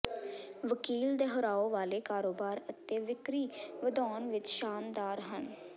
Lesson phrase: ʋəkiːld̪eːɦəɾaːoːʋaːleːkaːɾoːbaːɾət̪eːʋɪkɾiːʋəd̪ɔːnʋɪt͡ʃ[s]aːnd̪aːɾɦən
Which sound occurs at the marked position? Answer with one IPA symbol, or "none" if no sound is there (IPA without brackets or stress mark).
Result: ʃ